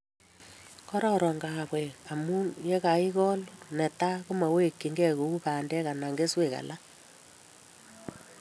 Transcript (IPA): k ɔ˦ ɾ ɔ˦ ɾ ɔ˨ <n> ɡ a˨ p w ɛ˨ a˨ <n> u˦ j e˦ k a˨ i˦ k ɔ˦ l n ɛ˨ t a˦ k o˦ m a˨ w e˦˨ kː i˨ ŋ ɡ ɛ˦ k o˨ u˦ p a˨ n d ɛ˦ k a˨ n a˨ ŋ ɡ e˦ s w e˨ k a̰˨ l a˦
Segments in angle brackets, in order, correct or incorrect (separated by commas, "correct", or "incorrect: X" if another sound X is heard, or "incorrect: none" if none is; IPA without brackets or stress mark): incorrect: ŋ, incorrect: m